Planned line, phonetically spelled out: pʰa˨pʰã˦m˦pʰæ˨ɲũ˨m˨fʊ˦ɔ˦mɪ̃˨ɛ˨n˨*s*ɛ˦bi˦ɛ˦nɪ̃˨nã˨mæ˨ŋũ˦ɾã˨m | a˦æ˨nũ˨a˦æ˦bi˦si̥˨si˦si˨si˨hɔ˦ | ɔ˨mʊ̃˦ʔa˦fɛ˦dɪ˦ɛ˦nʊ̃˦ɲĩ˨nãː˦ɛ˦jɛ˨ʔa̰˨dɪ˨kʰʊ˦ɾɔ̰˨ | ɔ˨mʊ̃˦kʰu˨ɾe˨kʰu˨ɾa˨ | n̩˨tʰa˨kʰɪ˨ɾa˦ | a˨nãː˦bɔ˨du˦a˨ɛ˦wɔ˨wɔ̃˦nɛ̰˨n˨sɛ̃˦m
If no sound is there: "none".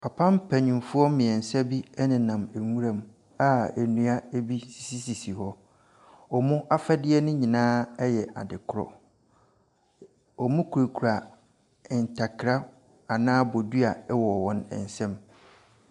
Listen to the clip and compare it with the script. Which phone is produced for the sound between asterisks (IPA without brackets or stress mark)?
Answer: s